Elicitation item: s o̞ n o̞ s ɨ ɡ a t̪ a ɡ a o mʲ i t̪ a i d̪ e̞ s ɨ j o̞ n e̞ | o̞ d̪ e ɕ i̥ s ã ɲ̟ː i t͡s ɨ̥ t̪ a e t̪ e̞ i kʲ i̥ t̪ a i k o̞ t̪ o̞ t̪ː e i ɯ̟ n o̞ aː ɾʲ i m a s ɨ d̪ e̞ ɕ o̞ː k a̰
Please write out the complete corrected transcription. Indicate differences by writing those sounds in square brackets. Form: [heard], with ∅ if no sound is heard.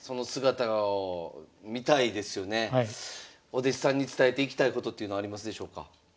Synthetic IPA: s o̞ n o̞ s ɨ ɡ a t̪ a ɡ a o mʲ i t̪ a i d̪ e̞ s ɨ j o̞ n e̞ | o̞ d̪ e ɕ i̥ s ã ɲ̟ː i t͡s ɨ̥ t̪ a e t̪ e̞ i kʲ i̥ t̪ a i k o̞ t̪ o̞ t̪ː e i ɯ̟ n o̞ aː ɾʲ i m a s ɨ d̪ e̞ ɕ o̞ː k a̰